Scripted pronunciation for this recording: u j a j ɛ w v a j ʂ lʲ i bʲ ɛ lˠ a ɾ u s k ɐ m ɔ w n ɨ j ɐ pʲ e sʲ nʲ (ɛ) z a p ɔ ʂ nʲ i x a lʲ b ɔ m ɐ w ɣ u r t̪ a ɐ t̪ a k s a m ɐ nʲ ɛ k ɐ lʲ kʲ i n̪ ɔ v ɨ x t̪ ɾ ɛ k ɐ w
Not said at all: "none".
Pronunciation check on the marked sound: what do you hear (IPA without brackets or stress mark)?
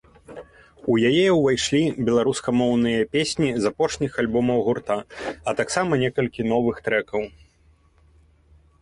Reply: i